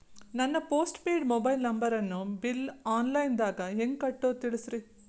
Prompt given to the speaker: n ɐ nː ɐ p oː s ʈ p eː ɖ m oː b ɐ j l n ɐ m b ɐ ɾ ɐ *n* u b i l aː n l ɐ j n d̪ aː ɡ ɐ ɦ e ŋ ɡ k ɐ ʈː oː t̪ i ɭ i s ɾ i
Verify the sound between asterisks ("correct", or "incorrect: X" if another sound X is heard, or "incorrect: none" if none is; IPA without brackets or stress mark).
incorrect: nː